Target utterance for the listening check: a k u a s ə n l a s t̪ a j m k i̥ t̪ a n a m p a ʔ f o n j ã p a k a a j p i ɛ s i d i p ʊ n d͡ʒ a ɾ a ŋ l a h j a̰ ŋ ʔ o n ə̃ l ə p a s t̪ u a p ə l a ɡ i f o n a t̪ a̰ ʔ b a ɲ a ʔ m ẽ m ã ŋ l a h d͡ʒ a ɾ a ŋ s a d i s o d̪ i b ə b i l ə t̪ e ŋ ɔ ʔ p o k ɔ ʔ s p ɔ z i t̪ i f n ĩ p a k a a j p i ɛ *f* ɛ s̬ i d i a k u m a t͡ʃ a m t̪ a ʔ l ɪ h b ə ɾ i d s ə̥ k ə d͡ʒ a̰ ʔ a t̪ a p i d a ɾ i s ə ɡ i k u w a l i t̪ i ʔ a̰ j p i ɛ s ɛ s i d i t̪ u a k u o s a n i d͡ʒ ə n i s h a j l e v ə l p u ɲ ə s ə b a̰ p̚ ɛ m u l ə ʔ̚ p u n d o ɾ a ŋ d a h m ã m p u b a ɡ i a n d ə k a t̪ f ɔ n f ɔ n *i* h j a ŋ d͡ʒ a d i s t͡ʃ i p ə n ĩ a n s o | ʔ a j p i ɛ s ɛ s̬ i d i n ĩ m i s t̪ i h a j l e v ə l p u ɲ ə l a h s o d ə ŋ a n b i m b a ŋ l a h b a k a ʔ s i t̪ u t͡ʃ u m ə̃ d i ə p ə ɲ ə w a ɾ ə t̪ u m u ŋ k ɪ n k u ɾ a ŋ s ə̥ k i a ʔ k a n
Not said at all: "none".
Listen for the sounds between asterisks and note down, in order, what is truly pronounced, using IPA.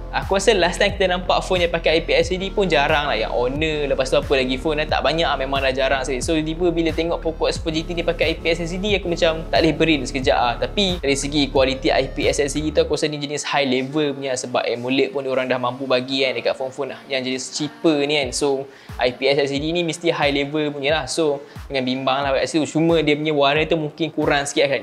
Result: s, a

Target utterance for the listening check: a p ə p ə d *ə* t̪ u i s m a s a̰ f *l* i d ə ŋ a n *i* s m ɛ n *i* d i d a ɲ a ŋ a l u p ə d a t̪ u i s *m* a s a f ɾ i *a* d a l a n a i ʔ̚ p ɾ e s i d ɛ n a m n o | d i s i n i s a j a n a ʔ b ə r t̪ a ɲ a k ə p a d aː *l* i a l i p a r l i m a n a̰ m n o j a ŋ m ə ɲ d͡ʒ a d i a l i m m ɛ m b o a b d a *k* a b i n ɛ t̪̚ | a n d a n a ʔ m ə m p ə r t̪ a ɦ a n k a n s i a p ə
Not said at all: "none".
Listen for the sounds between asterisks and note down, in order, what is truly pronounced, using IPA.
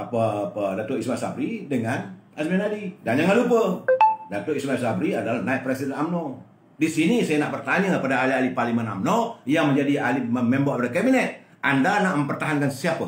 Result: a, ɾ, a, a, m, a, l, k

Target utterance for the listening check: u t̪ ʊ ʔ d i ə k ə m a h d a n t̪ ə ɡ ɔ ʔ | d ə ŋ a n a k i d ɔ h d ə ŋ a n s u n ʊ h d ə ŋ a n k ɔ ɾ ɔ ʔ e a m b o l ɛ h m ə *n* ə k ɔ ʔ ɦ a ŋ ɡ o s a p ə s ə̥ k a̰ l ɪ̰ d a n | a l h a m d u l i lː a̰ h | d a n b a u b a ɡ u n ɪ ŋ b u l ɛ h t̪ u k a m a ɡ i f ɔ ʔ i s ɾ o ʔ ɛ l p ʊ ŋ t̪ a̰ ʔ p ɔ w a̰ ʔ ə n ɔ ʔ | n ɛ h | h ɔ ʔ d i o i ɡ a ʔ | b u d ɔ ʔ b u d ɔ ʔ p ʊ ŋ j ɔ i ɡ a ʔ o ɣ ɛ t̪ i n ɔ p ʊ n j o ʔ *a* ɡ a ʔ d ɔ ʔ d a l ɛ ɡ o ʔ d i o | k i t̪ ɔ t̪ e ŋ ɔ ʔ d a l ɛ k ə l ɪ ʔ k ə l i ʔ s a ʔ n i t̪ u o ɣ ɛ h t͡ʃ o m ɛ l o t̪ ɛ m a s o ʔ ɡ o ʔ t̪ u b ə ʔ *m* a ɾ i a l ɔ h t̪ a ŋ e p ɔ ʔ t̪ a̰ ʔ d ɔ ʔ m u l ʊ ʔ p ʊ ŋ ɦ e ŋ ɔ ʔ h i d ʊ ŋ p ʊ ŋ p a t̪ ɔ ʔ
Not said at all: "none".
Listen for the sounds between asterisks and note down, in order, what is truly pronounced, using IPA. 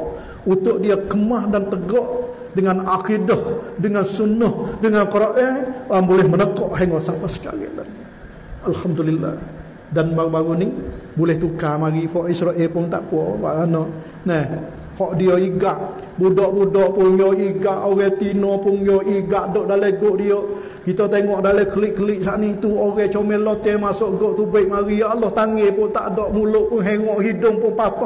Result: n, i, m

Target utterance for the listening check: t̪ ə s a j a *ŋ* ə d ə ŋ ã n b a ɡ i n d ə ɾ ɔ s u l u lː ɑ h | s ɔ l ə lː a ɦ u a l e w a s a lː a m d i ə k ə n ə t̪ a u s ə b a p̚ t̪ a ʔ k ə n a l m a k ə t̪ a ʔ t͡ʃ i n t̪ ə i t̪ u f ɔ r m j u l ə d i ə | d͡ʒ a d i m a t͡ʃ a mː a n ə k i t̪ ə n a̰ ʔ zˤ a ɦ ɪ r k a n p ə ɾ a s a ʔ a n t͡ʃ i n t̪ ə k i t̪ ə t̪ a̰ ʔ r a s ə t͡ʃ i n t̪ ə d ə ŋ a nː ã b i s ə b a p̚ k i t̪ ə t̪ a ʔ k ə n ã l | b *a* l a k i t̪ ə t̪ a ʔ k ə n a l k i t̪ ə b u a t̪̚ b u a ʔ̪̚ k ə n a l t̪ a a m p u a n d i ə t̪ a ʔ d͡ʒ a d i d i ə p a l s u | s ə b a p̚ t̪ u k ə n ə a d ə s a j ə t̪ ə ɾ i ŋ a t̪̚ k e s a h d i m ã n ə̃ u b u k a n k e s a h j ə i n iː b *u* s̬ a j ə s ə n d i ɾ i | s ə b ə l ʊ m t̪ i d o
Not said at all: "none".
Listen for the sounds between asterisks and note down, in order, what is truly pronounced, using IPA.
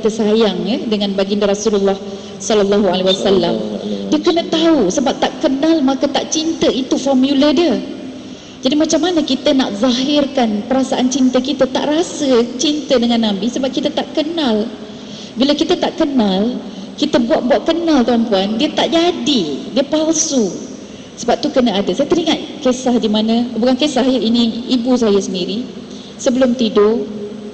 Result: ŋ, i, u

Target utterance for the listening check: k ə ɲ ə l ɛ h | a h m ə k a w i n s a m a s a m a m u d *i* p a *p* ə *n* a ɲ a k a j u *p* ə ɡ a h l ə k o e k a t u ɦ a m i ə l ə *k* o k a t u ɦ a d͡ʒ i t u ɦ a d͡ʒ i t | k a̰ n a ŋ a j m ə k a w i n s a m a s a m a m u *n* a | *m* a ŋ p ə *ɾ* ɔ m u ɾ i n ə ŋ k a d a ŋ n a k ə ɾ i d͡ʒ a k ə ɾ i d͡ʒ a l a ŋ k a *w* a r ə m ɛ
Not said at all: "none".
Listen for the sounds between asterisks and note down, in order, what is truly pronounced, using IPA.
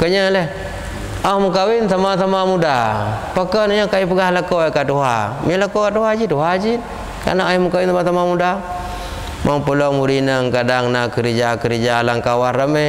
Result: a, k, n, p, k, d, m, l, w

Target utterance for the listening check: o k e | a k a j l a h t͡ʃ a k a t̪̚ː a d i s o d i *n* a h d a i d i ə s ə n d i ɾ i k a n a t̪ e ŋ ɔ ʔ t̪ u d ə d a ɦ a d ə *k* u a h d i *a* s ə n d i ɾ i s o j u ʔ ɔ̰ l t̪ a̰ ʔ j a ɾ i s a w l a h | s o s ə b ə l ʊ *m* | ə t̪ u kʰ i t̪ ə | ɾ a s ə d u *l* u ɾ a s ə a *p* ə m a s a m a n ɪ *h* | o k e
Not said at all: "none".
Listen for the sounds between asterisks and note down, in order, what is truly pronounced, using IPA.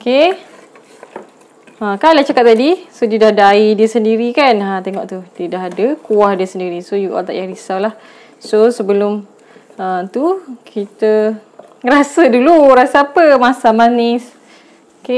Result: d, k, ə, m, l, p, s

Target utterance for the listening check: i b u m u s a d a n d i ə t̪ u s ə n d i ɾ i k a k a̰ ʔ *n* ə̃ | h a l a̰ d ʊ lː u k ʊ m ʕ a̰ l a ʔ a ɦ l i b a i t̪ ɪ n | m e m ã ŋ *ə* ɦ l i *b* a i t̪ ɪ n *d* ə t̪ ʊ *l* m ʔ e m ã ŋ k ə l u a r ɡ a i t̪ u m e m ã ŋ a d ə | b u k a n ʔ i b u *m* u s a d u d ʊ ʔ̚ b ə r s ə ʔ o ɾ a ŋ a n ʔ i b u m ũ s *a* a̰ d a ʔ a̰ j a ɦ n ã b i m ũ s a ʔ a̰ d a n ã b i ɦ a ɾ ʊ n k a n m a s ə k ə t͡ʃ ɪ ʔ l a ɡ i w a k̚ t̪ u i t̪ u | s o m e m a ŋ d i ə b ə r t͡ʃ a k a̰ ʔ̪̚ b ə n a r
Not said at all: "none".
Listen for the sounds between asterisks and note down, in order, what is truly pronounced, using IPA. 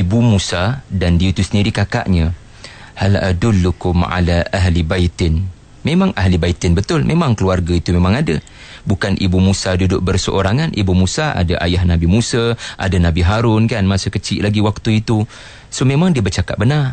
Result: ɲ, a, b, b, l, m, a

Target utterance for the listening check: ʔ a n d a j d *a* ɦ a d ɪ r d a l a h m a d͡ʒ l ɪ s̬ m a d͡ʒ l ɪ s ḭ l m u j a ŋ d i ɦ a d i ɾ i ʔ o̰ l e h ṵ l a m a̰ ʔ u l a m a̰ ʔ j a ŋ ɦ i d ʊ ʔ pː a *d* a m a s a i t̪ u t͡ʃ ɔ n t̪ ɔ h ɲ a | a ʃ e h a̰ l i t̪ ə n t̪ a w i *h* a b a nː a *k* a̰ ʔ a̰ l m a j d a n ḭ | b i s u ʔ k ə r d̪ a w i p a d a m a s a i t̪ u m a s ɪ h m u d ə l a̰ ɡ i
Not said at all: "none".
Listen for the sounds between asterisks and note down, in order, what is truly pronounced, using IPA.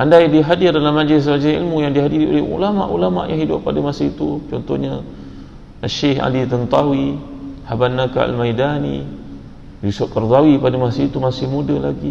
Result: i, d, h, k

